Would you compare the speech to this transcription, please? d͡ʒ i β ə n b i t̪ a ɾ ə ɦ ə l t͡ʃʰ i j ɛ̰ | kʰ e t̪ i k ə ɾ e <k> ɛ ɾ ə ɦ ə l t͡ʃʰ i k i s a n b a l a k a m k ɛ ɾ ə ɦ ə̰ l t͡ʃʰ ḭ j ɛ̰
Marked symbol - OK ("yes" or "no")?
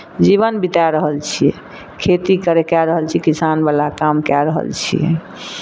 yes